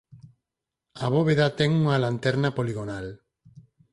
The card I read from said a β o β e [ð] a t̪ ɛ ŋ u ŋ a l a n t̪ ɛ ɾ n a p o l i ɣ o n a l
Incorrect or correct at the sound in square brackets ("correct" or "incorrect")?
correct